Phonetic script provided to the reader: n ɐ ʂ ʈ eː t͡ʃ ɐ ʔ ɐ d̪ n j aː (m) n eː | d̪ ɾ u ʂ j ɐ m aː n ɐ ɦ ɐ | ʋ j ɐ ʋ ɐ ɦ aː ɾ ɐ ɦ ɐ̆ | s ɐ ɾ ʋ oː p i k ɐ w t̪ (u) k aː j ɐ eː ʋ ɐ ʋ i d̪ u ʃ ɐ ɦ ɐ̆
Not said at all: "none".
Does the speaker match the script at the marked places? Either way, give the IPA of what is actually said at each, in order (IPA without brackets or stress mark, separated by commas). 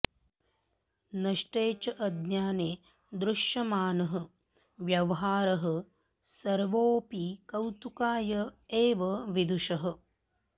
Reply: none, u